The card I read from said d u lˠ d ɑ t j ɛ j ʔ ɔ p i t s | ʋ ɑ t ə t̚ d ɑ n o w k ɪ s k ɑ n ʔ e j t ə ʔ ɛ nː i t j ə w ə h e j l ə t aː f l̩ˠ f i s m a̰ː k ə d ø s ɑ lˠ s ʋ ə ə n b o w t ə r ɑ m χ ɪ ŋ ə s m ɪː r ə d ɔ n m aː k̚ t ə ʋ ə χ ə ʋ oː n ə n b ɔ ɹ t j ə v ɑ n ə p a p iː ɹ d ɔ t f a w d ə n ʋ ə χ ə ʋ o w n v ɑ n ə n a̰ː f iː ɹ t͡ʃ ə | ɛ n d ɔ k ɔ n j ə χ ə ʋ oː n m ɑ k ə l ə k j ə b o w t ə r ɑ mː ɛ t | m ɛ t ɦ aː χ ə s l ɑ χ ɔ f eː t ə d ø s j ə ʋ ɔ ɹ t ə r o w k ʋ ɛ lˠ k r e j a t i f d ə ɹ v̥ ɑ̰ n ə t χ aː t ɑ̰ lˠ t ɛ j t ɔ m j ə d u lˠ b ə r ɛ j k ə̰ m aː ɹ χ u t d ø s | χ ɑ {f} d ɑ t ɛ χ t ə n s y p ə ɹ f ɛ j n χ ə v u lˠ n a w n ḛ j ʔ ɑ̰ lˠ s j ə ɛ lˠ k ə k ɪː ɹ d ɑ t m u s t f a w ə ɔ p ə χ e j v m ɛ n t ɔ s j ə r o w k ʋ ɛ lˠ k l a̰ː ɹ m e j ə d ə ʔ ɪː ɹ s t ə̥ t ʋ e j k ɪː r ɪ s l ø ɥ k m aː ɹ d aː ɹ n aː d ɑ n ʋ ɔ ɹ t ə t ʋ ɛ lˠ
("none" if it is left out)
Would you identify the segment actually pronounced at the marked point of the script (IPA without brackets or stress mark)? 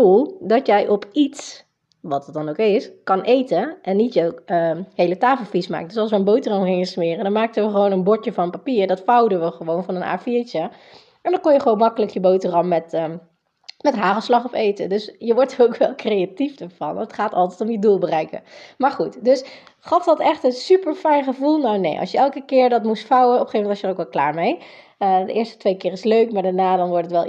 f